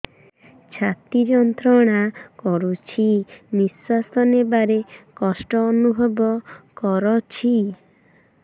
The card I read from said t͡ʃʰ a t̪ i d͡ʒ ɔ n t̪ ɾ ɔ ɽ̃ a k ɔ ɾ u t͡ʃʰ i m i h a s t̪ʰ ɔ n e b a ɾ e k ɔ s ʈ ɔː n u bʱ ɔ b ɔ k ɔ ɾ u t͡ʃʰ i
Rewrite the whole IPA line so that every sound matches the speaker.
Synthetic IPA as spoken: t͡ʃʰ a t̪ i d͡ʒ ɔ n t̪ ɾ ɔ ɽ̃ a k ɔ ɾ u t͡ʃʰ i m i s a s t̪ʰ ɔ n e b a ɾ e k ɔ s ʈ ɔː n u bʱ ɔ b ɔ k ɔ ɾ ɔ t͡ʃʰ i

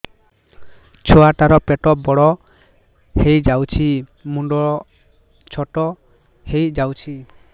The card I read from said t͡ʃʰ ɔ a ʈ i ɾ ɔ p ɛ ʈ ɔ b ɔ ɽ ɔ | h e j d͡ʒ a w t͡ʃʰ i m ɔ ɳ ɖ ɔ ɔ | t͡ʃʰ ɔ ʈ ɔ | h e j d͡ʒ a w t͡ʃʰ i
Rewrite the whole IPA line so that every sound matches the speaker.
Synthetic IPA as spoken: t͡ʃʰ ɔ a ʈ a ɾ ɔ p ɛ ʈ ɔ b ɔ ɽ ɔ | h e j d͡ʒ a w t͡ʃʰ i m u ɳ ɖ ɔ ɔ | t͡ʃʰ ɔ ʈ ɔ | h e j d͡ʒ a w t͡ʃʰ i

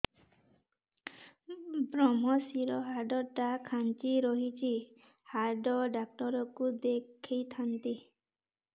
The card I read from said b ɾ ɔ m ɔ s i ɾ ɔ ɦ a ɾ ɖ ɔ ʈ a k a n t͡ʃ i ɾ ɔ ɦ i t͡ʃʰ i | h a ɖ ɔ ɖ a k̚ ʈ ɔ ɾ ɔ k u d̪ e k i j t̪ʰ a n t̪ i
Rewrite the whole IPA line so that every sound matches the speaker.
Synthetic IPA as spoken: b ɾ ɔ m ɔ s i ɾ ɔ ɦ a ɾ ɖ ɔ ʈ a kʰ a n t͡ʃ i ɾ ɔ ɦ i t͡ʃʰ i | h a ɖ ɔ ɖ a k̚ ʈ ɔ ɾ ɔ k u d̪ e kʰ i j t̪ʰ a n t̪ i

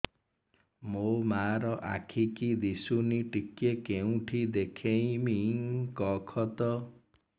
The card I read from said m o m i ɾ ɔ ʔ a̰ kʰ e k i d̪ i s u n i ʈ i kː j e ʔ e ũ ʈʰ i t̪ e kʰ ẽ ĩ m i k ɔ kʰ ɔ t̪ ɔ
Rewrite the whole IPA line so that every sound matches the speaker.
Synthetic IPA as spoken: m o m a ɾ ɔ ʔ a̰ kʰ i k i d̪ i s u n i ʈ i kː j e k e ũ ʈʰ i d̪ e kʰ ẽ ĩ m i k ɔ kʰ ɔ t̪ ɔ

